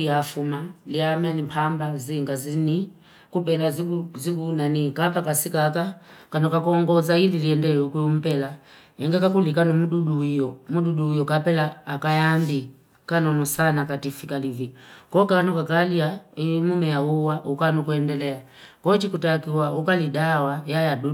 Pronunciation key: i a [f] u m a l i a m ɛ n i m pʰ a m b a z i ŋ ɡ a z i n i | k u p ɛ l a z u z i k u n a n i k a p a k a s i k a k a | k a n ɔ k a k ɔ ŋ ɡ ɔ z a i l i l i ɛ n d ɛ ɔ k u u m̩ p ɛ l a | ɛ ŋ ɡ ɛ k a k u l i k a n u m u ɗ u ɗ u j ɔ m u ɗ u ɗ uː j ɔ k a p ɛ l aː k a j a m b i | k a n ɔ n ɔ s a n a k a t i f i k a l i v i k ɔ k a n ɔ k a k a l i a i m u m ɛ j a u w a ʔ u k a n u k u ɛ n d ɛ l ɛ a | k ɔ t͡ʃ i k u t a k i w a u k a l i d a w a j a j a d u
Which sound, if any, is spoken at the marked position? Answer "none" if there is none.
f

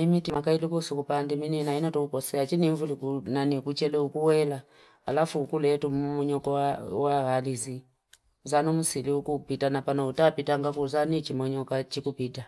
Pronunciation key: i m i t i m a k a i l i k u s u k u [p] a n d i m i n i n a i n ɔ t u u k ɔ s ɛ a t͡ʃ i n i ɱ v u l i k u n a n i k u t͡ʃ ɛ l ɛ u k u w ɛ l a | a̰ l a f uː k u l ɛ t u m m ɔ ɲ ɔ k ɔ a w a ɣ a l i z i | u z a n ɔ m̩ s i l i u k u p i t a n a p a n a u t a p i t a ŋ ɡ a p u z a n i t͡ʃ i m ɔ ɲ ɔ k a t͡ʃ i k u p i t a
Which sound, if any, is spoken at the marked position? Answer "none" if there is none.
p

